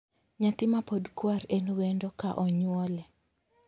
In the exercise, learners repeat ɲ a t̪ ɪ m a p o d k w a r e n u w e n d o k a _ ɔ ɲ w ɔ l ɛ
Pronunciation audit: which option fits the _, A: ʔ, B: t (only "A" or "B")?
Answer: A